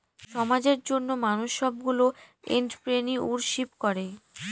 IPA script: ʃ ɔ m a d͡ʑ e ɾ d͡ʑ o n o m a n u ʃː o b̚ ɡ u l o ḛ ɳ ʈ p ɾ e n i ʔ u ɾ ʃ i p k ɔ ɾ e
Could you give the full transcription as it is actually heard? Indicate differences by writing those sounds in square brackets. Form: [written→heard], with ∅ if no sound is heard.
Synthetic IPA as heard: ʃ ɔ m a d͡ʑ e ɾ d͡ʑ o [n→nː] o m a n u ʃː [o→ɔ] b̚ ɡ u l o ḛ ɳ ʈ p ɾ e n i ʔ u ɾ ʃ i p k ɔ ɾ e